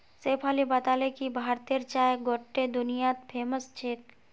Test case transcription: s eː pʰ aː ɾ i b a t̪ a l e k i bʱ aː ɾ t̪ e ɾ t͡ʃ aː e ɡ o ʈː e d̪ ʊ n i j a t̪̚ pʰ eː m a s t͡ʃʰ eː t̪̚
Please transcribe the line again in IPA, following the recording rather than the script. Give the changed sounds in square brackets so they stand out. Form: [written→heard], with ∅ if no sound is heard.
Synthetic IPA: s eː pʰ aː [ɾ→l] i b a t̪ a l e k i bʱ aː ɾ t̪ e ɾ t͡ʃ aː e ɡ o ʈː e d̪ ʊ n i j a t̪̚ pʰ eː m [a→ə] s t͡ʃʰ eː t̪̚